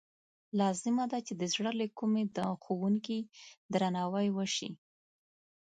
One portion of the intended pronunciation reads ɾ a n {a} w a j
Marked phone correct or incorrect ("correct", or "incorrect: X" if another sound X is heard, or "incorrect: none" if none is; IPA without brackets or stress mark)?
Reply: incorrect: ɑ